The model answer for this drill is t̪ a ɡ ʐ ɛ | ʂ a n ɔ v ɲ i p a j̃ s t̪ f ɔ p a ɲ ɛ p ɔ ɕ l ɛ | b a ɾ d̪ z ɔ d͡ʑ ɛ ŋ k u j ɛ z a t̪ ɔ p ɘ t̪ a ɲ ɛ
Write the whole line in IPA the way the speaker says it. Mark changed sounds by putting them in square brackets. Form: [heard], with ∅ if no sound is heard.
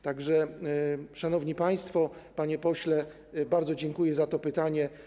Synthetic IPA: t̪ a ɡ ʐ ɛ | ʂ a n ɔ v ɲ i p a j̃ s t̪ f ɔ p a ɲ ɛ p ɔ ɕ l ɛ | b a ɾ d̪ z ɔ d͡ʑ ɛ ŋ k u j ɛ z a t̪ ɔ p ɘ t̪ a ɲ ɛ